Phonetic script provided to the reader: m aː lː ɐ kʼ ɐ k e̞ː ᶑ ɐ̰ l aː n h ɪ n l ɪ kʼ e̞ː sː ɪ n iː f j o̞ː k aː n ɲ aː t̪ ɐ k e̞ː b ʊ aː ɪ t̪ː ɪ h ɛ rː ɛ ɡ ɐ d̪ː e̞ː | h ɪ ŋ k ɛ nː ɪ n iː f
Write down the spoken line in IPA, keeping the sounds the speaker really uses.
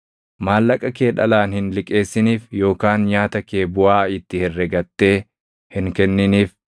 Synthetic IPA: m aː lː ɐ kʼ ɐ k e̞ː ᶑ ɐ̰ l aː n h ɪ n l ɪ kʼ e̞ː sː ɪ n iː f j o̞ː k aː n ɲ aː t̪ ɐ k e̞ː b ʊ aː ɪ t̪ː ɪ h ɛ rː ɛ ɡ ɐ t̪ː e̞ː | h ɪ ŋ k ɛ nː ɪ n iː f